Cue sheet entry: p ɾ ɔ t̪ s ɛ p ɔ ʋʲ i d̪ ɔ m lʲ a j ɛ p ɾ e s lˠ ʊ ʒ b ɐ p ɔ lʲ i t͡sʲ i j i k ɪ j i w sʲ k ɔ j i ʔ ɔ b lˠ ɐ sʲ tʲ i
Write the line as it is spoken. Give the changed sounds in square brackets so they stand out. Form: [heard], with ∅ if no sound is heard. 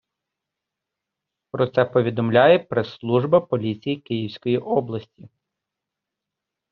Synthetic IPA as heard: p ɾ ɔ t̪ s ɛ p ɔ ʋʲ i d̪ ɔ m lʲ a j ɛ p ɾ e s lˠ [u] ʒ b ɐ p ɔ lʲ i t͡sʲ i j i k ɪ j i w sʲ k ɔ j i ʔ ɔ b lˠ ɐ sʲ tʲ i